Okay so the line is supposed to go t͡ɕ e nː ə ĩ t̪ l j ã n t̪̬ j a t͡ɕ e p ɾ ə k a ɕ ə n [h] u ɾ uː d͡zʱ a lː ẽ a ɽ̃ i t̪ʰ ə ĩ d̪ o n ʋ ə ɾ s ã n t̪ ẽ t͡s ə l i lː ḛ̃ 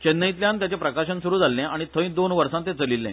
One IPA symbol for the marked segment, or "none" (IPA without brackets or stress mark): s